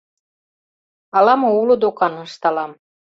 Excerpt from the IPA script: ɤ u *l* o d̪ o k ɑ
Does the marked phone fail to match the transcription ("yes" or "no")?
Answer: no